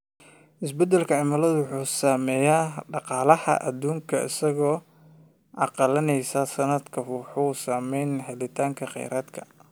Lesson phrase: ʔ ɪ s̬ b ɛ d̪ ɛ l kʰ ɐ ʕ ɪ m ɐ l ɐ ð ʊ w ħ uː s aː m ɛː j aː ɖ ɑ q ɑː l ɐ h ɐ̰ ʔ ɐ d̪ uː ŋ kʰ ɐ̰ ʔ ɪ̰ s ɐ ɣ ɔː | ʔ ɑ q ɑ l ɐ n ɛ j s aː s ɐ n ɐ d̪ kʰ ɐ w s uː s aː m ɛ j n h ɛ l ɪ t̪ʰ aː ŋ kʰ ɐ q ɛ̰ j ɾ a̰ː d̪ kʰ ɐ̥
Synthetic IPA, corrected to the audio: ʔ ɪ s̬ b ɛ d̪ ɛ l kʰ ɐ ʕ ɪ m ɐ l ɐ ð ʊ w ħ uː s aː m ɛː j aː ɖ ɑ q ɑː l ɐ h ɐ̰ ʔ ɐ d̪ uː ŋ kʰ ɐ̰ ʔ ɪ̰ s ɐ ɣ ɔː | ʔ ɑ q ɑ l ɐ n ɛ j s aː s ɐ n ɐ d̪ kʰ ɐ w ħ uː s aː m ɛ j n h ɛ l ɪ t̪ʰ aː ŋ kʰ ɐ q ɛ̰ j ɾ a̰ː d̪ kʰ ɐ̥